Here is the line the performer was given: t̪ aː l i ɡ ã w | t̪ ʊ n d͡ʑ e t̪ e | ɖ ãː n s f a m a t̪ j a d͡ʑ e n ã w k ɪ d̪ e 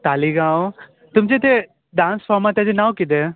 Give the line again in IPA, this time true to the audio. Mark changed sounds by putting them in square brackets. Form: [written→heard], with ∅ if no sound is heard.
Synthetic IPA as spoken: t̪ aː l i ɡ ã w | t̪ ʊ [n→m] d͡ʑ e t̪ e | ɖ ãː n s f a m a t̪ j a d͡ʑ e n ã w k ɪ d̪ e